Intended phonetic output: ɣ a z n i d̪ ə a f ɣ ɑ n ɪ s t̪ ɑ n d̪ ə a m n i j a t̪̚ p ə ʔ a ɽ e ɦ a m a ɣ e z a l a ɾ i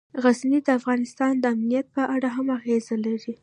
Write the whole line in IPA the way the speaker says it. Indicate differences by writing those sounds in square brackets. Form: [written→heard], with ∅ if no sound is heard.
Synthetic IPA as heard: ɣ a z n i d̪ ə a f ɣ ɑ n ɪ s t̪ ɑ n d̪ ə a m n i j a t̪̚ p ə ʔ a ɽ [e→a] ɦ a m a ɣ e z a l a ɾ i